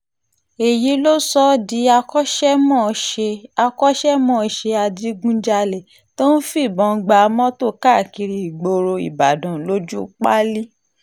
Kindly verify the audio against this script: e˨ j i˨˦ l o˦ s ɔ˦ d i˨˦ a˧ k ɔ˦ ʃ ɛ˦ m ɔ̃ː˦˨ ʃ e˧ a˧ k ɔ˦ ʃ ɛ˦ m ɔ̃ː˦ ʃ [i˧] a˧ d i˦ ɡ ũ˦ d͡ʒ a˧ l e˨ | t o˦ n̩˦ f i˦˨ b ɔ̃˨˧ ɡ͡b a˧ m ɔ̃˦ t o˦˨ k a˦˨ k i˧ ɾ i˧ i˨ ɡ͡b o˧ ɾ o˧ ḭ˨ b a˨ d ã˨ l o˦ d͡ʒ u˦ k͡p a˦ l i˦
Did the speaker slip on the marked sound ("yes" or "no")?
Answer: yes